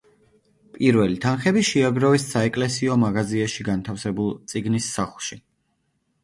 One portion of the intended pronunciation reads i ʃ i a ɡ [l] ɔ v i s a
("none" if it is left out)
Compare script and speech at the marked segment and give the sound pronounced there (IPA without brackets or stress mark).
ɾ